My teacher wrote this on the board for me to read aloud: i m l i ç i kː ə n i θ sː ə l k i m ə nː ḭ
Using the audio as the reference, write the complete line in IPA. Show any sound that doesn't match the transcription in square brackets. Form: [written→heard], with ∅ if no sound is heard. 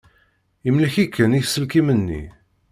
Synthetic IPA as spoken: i m l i ç i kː ə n i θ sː ə l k i m ə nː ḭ